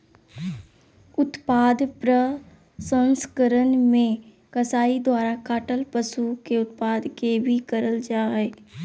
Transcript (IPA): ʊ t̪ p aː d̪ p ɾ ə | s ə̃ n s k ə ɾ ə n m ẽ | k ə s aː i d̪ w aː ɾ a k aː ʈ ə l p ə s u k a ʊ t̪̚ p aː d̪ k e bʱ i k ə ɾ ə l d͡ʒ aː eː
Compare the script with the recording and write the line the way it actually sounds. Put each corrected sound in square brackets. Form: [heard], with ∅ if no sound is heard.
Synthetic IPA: ʊ t̪ p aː d̪ p ɾ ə | s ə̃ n s k ə ɾ ə n m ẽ | k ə s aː i d̪ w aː ɾ a k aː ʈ ə l p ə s u k [e] ʊ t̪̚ p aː d̪ k e bʱ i k ə ɾ ə l d͡ʒ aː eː

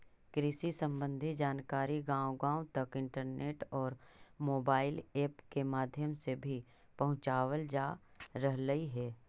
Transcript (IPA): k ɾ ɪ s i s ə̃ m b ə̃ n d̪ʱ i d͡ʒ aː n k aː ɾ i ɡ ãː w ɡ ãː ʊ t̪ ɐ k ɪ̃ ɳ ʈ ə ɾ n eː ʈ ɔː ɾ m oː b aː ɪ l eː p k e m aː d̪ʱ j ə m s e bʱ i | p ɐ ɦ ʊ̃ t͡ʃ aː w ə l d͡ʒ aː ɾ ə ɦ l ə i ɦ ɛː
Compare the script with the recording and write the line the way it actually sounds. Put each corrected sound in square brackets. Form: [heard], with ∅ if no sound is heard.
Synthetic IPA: k ɾ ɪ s i s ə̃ m b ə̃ n d̪ʱ i d͡ʒ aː n k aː ɾ i ɡ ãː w ɡ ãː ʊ t̪ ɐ k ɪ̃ ɳ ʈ ə ɾ n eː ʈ ɔː ɾ m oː b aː ɪ l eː p k e m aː d̪ʱ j ə m s e bʱ i | p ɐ ɦ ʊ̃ t͡ʃ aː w ə l d͡ʒ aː ɾ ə ɦ l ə i ɦ ɛː

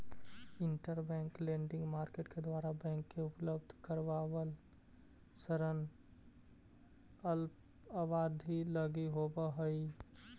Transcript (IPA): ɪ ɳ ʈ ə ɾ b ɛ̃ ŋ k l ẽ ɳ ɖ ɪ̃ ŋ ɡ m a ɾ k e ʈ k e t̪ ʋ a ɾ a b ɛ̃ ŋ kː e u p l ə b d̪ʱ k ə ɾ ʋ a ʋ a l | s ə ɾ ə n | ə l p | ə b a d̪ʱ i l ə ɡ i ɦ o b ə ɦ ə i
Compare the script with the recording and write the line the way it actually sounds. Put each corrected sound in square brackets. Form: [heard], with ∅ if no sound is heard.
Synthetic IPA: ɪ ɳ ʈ ə ɾ b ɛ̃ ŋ k l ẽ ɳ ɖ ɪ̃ ŋ ɡ m a ɾ k e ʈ k e [d̪] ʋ a ɾ a b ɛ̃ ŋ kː e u p l ə b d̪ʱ k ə ɾ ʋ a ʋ [ə] l | s ə ɾ ə n | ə l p | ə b a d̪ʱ i l ə ɡ i ɦ o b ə ɦ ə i

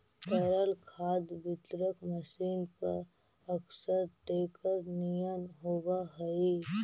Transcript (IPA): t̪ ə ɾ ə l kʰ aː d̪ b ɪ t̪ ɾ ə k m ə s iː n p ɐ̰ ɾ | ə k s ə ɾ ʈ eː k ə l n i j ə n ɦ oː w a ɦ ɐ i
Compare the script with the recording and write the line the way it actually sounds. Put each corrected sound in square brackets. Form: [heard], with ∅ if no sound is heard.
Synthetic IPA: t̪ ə ɾ ə l kʰ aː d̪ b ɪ t̪ ɾ ə k m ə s iː n p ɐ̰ ɾ | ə k s ə ɾ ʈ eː k ə [ɾ] n i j ə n ɦ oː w a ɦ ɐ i

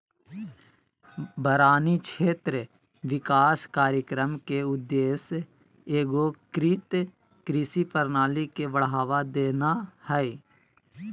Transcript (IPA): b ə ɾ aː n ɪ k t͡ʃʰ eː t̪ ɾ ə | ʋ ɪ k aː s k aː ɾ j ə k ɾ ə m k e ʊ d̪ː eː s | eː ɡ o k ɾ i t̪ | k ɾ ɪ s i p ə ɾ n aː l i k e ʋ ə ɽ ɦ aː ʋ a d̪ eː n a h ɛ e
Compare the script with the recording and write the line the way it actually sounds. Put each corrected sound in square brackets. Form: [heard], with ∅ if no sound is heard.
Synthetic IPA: b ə ɾ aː n [i] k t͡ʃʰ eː t̪ ɾ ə | ʋ ɪ k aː s k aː ɾ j ə k ɾ ə m k e ʊ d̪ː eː s | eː ɡ o k ɾ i t̪ | k ɾ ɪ s i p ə ɾ n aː l i k e ʋ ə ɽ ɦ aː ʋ a d̪ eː n a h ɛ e

